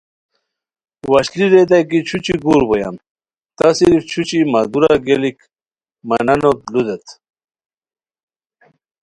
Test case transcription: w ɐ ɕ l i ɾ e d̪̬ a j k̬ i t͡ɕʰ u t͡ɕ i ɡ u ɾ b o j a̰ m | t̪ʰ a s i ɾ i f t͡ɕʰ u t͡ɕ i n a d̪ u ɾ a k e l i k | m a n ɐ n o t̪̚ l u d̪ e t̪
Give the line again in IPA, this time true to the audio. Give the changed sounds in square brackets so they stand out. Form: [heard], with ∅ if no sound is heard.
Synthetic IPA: w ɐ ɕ l i ɾ e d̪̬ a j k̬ i t͡ɕʰ u t͡ɕ i ɡ u ɾ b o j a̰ m | [t̪] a s i ɾ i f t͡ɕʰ u t͡ɕ i [m] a d̪ u ɾ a [ɡ] e l i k | m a n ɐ n o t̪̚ l u d̪ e t̪